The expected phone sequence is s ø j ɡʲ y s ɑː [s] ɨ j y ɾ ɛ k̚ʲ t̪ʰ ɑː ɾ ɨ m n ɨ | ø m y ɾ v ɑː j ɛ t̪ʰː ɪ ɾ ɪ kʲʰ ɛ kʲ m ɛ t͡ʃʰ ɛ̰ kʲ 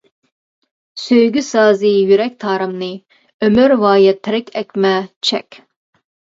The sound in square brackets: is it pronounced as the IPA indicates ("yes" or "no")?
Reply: no